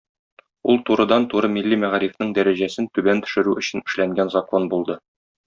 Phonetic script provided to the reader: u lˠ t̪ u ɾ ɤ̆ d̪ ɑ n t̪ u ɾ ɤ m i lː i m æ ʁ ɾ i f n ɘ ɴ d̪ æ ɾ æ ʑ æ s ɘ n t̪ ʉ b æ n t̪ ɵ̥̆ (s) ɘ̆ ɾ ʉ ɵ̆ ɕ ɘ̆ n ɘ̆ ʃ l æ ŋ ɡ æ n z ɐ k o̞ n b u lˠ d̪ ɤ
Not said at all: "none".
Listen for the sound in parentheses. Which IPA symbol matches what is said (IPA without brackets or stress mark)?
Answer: ʃ